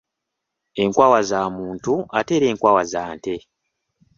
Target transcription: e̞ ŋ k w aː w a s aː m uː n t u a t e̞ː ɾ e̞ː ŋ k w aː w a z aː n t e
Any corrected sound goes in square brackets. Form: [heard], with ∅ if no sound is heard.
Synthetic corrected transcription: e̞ ŋ k w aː w a [z] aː m uː n t u a t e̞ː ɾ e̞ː ŋ k w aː w a z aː n t e